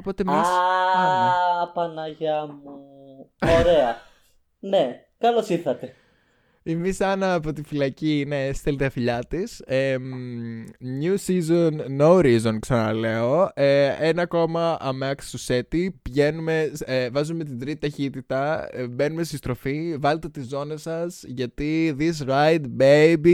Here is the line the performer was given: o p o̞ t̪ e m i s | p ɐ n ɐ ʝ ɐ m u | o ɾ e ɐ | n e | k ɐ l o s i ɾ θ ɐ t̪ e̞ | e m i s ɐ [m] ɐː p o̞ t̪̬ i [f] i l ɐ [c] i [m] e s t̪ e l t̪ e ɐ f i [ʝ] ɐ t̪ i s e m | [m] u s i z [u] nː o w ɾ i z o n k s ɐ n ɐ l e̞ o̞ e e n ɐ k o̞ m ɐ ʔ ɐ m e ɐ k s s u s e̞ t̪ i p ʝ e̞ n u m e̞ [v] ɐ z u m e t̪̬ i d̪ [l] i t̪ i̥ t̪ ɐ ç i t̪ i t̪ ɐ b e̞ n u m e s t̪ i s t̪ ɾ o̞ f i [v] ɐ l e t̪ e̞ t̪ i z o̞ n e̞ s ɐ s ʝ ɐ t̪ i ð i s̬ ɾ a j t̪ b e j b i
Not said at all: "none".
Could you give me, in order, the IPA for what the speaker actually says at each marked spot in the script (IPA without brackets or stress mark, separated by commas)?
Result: n, f, c, n, ʎ, ɲ, o, v, ɾ, v